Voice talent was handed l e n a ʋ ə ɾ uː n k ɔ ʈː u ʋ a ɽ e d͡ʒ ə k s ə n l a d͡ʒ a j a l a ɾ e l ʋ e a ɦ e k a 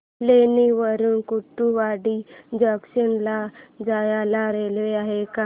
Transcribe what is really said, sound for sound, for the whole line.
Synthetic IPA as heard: l e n i ʋ ə ɾ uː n k u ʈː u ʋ a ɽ i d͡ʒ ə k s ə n l a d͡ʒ a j a l a ɾ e l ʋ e a ɦ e k a